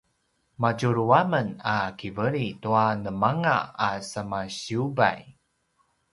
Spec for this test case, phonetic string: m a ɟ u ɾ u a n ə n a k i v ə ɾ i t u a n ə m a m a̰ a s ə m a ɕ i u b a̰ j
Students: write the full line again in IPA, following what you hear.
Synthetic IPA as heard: m a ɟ u ɾ u a m ə n a k i v ə ɾ i t u a n ə m a ŋ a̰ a s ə m a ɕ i u b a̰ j